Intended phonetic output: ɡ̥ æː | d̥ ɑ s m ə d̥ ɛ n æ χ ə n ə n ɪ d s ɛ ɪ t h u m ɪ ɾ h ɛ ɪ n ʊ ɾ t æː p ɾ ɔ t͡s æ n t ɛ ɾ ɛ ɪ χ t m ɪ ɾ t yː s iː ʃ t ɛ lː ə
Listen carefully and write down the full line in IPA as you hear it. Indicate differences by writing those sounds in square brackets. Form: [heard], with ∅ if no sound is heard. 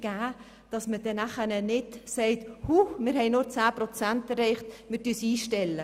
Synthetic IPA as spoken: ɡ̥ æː | d̥ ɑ s m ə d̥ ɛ n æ χ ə n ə n ɪ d s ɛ ɪ t h u m ɪ ɾ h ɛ ɪ n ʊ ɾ [t͡s] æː p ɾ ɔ t͡s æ n t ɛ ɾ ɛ ɪ χ t m ɪ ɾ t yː s iː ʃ t ɛ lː ə